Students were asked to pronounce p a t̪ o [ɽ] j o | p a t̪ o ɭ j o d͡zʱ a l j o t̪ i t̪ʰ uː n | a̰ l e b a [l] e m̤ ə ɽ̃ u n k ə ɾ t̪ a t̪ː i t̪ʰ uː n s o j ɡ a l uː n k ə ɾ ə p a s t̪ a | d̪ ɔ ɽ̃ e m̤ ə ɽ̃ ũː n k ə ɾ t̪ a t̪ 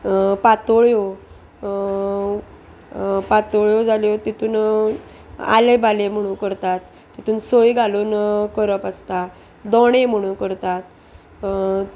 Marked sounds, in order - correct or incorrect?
incorrect: ɭ, correct

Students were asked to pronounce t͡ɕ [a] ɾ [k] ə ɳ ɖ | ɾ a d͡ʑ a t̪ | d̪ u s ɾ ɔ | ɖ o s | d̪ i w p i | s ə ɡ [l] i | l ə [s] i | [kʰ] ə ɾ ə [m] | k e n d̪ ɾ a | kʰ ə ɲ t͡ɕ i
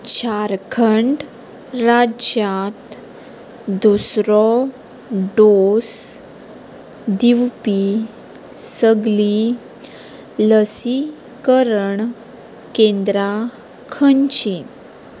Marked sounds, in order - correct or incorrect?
correct, incorrect: kʰ, correct, correct, incorrect: k, incorrect: ɳ

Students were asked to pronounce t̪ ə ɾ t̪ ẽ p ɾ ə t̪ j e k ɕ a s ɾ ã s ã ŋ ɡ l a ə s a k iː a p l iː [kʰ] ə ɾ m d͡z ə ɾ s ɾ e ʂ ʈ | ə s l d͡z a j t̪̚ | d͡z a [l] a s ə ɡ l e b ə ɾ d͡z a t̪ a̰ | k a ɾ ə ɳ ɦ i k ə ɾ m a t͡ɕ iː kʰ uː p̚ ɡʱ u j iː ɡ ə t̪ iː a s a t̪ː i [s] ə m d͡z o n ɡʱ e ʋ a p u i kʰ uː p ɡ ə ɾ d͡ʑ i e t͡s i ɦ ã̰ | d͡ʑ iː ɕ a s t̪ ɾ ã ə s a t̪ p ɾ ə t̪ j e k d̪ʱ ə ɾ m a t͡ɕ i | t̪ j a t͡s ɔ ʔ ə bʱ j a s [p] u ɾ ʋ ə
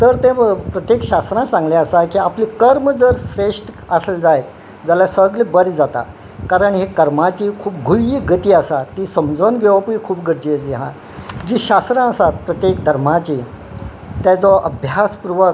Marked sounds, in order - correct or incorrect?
incorrect: k, correct, correct, correct

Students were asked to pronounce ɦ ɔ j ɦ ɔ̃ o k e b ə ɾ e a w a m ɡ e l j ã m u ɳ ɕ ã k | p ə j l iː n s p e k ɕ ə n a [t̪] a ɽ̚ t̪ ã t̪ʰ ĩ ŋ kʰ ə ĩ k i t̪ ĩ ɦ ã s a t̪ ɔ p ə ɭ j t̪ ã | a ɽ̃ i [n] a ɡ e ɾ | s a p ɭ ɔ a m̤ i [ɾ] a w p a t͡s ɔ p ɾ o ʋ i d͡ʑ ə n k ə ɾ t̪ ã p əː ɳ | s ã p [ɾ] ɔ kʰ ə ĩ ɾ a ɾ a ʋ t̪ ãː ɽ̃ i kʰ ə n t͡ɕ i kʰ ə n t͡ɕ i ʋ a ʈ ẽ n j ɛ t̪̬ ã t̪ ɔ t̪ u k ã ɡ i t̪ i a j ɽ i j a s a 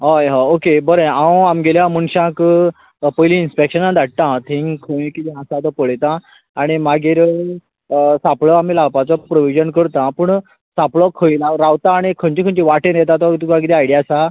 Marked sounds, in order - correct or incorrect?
incorrect: d̪, incorrect: m, incorrect: l, incorrect: ɭ

